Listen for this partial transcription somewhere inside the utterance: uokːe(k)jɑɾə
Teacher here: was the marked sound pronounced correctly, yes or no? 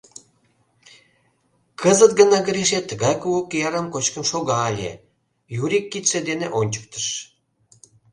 no